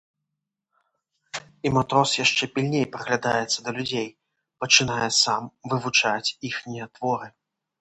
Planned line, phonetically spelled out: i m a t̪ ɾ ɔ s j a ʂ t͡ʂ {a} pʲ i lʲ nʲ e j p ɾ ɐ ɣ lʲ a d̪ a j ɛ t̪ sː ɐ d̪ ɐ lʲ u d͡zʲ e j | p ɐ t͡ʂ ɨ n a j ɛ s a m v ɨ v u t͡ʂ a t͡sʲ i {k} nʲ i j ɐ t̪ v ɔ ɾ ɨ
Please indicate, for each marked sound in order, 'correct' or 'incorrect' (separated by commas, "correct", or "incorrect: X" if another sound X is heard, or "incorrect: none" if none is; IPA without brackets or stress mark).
incorrect: ɛ, incorrect: x